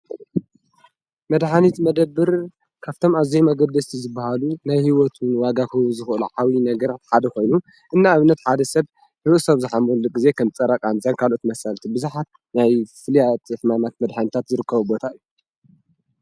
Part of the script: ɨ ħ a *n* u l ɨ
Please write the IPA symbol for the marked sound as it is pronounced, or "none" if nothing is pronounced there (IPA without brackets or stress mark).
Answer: m